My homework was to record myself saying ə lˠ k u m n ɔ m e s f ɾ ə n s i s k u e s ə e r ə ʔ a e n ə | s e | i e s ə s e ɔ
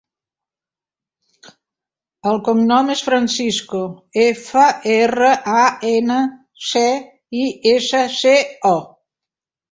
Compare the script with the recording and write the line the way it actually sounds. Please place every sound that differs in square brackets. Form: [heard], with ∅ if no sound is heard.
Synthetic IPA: ə lˠ k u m n ɔ m e s f ɾ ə n s i s k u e [f] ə e r ə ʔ a e n ə | s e | i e s ə s e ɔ